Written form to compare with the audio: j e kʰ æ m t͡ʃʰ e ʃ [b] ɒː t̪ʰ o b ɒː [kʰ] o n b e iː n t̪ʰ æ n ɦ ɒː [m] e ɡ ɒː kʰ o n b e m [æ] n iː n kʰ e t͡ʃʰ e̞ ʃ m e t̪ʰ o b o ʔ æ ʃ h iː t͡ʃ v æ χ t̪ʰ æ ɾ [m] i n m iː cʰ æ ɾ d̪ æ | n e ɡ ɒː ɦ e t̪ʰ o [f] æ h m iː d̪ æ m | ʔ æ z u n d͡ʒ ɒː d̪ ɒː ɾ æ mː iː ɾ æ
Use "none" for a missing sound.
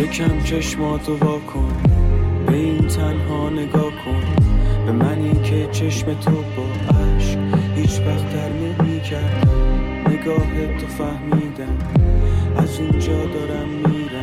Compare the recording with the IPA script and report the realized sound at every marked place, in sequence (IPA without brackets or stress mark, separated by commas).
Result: m, kʰ, n, æ, m, f